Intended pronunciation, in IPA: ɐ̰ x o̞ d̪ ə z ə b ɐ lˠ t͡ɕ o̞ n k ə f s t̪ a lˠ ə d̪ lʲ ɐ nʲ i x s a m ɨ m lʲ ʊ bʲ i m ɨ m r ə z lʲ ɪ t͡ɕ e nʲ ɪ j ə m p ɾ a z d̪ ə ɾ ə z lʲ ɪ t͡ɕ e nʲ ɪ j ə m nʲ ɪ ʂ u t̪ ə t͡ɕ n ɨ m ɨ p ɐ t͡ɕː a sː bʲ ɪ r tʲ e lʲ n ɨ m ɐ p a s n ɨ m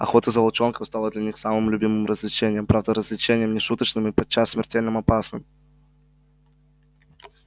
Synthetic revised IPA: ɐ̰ x o̞ t̪ ə z ə b ɐ lˠ t͡ɕ o̞ n k ə f s t̪ a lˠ ə d̪ lʲ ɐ nʲ i x s a m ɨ m lʲ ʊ bʲ i m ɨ m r ə z lʲ ɪ t͡ɕ e nʲ ɪ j ə m p ɾ a v d̪ ə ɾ ə z lʲ ɪ t͡ɕ e nʲ ɪ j ə m nʲ ɪ ʂ u t̪ ə t͡ɕ n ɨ m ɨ p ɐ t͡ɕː a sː mʲ ɪ r tʲ e lʲ n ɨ m ɐ p a s n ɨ m

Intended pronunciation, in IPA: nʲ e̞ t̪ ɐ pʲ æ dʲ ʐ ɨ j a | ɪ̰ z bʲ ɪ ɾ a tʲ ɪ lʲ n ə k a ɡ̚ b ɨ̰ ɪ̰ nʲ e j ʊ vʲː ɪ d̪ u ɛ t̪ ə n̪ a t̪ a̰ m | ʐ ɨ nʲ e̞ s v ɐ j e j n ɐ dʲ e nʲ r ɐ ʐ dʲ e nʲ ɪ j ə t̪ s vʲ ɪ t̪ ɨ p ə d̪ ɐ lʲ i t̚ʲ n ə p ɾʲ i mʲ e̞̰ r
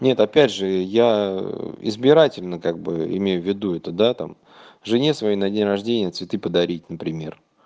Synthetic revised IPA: nʲ e̞ t̪ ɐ pʲ æ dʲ ʐ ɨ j a | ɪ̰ z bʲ ɪ ɾ a tʲ ɪ lʲ n ə k a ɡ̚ b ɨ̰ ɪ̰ mʲ e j ʊ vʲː ɪ d̪ u ɛ t̪ ə d̪ a t̪ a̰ m | ʐ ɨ nʲ e̞ s v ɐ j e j n ɐ dʲ e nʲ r ɐ ʐ dʲ e nʲ ɪ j ə t̪ s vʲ ɪ t̪ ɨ p ə d̪ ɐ ɾʲ i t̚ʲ n ə p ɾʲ ɪ mʲ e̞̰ r

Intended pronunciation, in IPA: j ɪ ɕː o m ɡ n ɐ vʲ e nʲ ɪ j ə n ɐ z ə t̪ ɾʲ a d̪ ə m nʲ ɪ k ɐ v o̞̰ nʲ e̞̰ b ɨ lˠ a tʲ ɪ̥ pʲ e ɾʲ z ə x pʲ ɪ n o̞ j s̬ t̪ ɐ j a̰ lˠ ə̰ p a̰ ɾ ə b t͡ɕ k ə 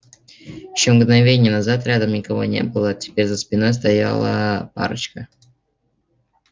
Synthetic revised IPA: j ɪ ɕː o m ɡ n ɐ vʲ e nʲ ɪ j ə n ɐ z a t̪ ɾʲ a d̪ ə m nʲ ɪ k ɐ v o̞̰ nʲ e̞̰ b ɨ lˠ ə tʲ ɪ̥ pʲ e ɾʲ z ə s pʲ ɪ n o̞ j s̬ t̪ ɐ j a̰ lˠ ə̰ p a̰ ɾ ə t͡ɕ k ə

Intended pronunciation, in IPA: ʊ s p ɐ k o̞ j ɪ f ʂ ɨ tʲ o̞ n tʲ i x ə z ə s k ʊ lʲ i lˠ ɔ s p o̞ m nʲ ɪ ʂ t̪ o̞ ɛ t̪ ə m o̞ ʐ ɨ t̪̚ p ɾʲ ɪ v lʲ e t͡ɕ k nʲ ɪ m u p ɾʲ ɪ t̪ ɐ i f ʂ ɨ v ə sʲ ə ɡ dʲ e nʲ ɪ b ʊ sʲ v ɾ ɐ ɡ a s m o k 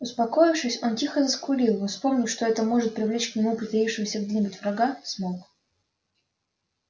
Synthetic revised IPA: ʊ s p ɐ k o̞ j ɪ f ʂ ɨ sʲ o̞ n tʲ i x ə z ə s k ʊ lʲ i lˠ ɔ s p o̞ m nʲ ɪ ʂ t̪ o̞ ɛ t̪ ə m o̞ ʐ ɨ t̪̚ p ɾʲ ɪ v lʲ e t͡ɕ k nʲ ɪ m u p ɾʲ ɪ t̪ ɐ i f ʂ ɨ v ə sʲ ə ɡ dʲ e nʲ ɪ b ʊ tʲ v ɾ ɐ ɡ a s m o k

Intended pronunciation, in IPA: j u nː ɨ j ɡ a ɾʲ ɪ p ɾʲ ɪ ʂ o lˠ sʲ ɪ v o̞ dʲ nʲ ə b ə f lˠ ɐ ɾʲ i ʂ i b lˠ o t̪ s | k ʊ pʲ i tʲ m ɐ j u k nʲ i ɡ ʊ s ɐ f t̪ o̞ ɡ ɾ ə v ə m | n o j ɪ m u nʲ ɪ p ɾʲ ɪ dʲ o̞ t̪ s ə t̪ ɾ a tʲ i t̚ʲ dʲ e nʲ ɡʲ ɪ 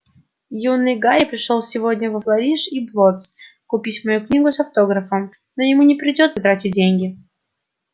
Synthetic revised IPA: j u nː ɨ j ɡ a ɾʲ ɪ p ɾʲ ɪ ʂ o lˠ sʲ ɪ v o̞ dʲ nʲ ə v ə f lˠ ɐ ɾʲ i ʂ i b lˠ o t̪ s | k ʊ pʲ i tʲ m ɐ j u k nʲ i ɡ ʊ s ɐ f t̪ o̞ ɡ ɾ ə f ə m | n o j ɪ m u nʲ ɪ p ɾʲ ɪ dʲ o̞ t̪ s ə t̪ ɾ a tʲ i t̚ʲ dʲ e nʲ ɡʲ ɪ

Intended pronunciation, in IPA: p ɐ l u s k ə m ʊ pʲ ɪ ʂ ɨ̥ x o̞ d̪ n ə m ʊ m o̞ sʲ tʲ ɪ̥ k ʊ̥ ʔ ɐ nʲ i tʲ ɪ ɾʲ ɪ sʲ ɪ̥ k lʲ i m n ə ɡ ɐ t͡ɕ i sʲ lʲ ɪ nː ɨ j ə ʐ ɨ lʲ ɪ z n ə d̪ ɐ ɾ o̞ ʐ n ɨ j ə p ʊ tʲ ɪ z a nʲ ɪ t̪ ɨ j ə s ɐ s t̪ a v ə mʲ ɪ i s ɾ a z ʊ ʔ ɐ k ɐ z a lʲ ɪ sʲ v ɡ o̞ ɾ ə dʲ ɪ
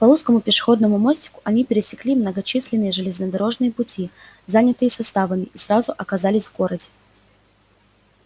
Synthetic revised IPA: p ɐ l u s k ə m ʊ pʲ ɪ ʂ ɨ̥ x o̞ d̪ n ə m ʊ m o̞ sʲ tʲ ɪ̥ k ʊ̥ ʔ ɐ nʲ i pʲ ɪ ɾʲ ɪ sʲ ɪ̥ k lʲ i m n ə ɡ ɐ t͡ɕ i sʲ lʲ ɪ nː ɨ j ə ʐ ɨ lʲ ɪ z n ə d̪ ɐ ɾ o̞ ʐ n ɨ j ə p ʊ tʲ i z a nʲ ɪ t̪ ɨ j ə s ɐ s t̪ a v ə mʲ ɪ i s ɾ a z ʊ ʔ ɐ k ɐ z a lʲ ɪ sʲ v ɡ o̞ ɾ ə dʲ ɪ

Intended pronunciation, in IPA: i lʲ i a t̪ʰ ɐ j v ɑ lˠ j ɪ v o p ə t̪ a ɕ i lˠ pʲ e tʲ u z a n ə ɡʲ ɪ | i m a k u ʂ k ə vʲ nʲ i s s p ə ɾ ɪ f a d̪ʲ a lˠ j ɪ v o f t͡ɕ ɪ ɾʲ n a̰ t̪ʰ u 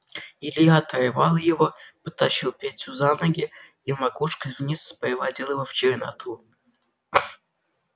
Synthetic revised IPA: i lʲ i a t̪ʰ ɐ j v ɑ lˠ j ɪ v o p ə t̪ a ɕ i lˠ pʲ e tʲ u z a n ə ɡʲ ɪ | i m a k u ʂ k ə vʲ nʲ i s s p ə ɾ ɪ v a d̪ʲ i lˠ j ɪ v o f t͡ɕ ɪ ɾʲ n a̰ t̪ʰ u

